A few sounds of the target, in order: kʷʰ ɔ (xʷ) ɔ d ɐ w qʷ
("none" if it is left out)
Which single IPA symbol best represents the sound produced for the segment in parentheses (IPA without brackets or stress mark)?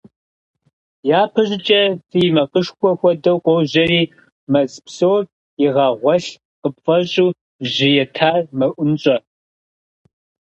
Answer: xʷ